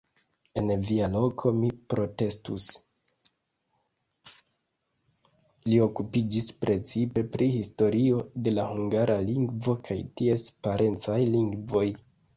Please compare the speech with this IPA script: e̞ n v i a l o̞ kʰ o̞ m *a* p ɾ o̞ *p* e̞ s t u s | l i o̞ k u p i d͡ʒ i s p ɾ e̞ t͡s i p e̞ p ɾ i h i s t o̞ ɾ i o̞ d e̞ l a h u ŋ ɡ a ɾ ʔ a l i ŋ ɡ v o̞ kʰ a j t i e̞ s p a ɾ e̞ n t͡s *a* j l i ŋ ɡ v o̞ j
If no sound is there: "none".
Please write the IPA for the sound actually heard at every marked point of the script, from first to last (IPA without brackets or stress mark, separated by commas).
i, t, a